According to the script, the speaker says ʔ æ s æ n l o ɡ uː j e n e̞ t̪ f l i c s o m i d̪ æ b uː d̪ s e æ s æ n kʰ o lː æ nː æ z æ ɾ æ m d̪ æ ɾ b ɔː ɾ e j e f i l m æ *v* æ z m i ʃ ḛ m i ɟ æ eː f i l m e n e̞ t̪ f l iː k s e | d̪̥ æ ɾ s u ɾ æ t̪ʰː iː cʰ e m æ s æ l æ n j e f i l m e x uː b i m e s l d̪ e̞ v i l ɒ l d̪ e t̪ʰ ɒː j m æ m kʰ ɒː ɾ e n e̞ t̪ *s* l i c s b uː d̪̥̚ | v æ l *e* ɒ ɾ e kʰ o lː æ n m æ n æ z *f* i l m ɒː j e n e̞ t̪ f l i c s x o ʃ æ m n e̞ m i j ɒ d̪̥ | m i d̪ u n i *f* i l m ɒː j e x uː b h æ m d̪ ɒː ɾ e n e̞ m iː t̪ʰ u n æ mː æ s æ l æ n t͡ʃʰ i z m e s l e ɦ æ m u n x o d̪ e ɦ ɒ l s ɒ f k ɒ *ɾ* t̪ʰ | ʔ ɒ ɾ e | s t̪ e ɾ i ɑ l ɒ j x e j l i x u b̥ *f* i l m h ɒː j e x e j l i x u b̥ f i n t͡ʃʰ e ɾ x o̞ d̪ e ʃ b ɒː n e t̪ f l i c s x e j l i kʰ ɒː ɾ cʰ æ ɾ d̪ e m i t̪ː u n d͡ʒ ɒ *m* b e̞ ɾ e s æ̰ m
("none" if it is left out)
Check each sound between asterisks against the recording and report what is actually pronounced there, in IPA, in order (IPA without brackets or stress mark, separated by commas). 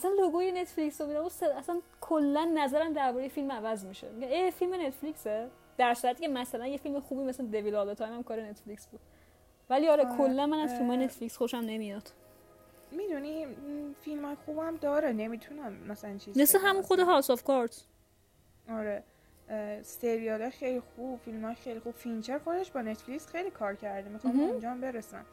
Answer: v, f, i, f, f, ɾ, f, m